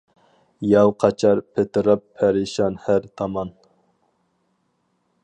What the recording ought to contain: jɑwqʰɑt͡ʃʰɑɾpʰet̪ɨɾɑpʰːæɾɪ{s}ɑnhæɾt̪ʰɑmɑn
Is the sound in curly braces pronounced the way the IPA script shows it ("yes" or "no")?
no